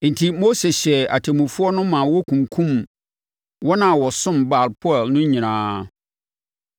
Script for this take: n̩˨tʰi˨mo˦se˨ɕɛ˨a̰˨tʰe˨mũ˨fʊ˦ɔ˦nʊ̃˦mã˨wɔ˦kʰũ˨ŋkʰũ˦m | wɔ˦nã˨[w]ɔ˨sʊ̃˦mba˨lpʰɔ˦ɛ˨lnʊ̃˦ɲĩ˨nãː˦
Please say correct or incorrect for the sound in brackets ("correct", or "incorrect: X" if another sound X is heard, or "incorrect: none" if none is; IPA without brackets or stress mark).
correct